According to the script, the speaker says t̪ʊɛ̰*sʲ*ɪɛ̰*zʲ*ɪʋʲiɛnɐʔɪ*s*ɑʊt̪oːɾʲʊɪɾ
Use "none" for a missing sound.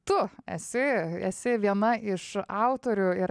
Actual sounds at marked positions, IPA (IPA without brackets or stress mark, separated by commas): sʲ, sʲ, ʃ